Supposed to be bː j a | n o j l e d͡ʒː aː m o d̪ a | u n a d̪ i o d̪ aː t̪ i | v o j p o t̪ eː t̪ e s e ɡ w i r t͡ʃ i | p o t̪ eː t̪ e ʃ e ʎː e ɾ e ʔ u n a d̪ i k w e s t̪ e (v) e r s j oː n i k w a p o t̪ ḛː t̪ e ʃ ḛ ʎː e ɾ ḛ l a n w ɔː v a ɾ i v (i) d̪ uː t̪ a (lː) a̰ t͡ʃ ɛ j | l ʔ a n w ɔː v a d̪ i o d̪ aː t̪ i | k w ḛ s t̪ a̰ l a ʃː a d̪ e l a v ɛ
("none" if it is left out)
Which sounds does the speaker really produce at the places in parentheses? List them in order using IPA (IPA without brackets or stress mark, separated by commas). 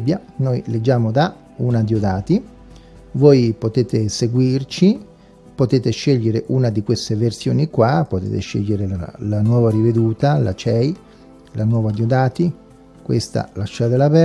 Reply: v, e, l